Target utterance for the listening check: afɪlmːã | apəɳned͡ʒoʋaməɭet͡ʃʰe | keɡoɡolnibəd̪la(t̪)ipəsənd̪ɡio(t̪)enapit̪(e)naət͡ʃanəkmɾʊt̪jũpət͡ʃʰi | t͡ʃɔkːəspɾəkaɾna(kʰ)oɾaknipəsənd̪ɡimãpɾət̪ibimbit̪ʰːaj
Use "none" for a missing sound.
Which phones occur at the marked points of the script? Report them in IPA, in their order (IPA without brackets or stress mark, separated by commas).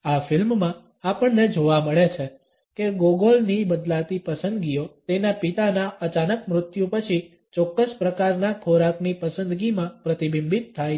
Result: t̪, t̪, a, kʰ